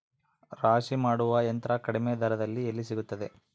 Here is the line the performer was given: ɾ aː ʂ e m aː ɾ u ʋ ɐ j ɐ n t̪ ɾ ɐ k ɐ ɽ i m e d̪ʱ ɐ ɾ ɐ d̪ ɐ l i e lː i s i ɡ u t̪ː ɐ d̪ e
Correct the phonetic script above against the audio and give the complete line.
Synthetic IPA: ɾ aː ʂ i m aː ɽ u ʋ ɐ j ɐ n t̪ ɾ ɐ k ɐ ɽ i m e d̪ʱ ɐ ɾ ɐ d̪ ɐ lː i e lː i s i ɡ u t̪ː ɐ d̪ e